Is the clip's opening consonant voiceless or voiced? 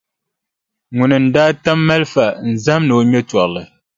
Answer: voiced